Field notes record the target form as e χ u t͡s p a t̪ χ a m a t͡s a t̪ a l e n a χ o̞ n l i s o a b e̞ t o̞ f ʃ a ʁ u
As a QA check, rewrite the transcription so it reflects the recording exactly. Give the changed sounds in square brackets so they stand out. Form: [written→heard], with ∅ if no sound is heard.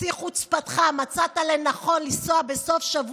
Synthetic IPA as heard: [e→i] χ u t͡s p a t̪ χ a m a t͡s a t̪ a l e n a χ o̞ n l i s o a b e̞ [t→s] o̞ f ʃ a [ʁ→v] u